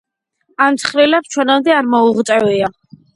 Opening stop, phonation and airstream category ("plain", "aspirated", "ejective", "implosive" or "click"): plain